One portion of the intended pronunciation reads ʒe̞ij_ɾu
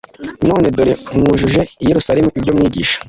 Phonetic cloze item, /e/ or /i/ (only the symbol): e